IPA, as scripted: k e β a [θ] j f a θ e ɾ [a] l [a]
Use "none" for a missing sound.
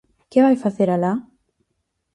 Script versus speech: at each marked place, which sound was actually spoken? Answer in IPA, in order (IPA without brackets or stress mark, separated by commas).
none, a, a